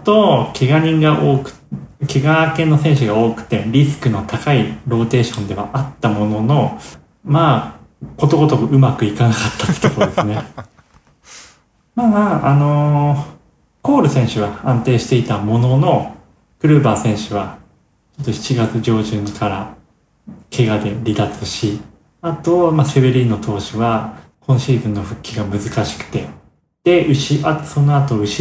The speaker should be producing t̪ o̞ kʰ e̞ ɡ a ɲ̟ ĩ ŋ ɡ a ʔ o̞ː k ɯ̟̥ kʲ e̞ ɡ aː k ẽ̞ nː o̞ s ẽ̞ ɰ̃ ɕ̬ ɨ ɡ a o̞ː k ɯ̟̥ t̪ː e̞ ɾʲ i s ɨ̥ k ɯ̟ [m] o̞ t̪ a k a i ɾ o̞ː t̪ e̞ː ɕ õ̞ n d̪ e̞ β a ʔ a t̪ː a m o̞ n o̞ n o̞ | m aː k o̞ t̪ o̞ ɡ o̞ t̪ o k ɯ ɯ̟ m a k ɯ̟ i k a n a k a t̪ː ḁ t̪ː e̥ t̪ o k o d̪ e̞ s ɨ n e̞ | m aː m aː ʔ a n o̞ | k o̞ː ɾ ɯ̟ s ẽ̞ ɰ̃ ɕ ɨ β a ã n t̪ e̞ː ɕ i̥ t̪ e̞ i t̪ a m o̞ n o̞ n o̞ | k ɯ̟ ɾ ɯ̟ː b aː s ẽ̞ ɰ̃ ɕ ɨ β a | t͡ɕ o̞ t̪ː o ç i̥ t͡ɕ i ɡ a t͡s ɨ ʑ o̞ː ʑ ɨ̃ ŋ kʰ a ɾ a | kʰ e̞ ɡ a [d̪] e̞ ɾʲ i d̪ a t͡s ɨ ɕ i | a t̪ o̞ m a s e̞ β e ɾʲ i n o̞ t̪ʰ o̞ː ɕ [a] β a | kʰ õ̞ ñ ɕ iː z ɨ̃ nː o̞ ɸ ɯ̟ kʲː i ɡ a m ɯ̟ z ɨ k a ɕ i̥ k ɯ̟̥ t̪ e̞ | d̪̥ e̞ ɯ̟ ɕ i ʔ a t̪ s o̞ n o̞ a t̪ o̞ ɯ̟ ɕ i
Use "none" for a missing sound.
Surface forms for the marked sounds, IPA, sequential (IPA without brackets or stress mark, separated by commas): n, d̪, i